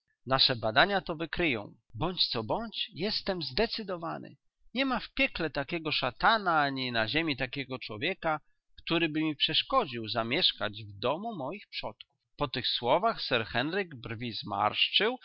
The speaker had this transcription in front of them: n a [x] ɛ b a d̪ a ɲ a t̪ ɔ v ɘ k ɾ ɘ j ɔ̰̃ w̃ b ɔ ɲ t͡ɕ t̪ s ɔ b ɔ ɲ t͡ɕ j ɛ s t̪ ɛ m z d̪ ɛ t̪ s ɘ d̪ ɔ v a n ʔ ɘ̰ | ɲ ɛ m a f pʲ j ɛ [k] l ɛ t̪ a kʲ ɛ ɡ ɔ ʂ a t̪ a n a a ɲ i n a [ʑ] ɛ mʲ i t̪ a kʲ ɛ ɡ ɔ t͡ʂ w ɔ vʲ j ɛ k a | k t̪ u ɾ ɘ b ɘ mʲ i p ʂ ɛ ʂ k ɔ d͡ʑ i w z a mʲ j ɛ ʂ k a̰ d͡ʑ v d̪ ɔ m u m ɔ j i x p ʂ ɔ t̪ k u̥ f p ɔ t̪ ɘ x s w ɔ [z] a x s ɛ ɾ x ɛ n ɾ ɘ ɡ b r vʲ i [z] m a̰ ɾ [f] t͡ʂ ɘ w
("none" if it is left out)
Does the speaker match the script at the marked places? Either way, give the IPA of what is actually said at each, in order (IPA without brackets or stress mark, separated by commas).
ʂ, k, ʑ, v, z, ʂ